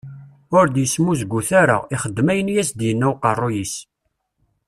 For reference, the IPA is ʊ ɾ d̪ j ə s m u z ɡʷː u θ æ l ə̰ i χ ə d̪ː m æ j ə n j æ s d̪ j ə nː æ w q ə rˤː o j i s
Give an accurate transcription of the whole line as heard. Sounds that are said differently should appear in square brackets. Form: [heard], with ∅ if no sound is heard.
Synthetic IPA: ʊ ɾ d̪ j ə s m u z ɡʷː u θ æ [ɾ] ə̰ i χ ə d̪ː m æ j ə n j æ s d̪ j ə nː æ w q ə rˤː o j i s

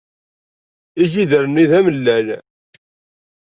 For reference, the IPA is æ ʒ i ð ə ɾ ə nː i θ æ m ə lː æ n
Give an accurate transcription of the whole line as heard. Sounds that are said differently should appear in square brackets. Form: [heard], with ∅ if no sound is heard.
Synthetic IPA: [i] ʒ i ð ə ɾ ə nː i [ð] æ m ə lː æ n

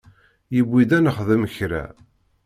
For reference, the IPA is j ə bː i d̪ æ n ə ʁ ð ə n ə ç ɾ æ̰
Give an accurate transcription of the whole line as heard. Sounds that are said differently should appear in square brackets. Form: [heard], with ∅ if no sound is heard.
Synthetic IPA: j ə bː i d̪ æ n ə [χ] ð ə [m] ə ç ɾ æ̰

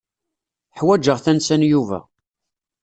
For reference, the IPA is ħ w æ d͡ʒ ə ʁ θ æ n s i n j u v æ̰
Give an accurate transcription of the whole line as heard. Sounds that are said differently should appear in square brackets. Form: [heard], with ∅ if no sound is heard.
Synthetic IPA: ħ w æ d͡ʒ ə ʁ θ æ n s [æ] n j u v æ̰

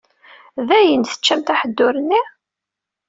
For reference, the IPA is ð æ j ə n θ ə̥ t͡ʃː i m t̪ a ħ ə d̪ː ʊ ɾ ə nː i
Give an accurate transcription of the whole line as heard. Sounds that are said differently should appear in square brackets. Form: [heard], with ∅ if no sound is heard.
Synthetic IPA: ð æ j ə n θ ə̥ t͡ʃː [æ] m t̪ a ħ ə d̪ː ʊ ɾ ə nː i

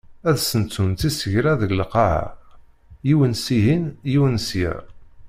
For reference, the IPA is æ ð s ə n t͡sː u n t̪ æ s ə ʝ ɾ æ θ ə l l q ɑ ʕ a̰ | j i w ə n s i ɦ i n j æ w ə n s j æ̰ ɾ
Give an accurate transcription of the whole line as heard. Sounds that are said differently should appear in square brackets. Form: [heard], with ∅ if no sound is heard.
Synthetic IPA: æ ð s ə n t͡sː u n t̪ [i] s ə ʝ ɾ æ [ð] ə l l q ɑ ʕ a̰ | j i w ə n s i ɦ i n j [i] w ə n s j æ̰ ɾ

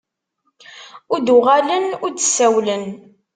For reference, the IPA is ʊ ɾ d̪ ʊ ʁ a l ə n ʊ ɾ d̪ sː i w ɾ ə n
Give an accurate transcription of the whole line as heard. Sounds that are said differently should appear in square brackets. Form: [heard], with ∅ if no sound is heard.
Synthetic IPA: ʊ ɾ d̪ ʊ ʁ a l ə n ʊ ɾ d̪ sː [æ] w [l] ə n

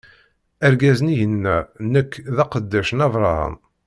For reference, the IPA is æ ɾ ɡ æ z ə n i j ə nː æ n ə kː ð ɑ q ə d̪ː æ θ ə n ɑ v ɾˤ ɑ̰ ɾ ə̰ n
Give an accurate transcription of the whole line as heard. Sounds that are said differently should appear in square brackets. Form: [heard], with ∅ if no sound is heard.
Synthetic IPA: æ ɾ ɡ æ z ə n i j ə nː æ n ə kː ð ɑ q ə d̪ː æ [ʃ] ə n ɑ v ɾˤ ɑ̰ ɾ ə̰ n

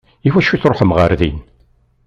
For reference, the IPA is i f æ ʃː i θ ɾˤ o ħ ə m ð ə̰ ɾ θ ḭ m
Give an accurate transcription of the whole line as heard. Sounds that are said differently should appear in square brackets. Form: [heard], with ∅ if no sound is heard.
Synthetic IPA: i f æ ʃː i θ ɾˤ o ħ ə m [ʁ] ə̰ ɾ [ð] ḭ [n]

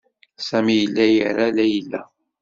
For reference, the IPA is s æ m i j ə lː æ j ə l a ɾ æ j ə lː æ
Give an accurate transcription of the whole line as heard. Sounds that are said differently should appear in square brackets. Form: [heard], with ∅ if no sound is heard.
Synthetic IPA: s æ m i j ə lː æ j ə [ɾ] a [l] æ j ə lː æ

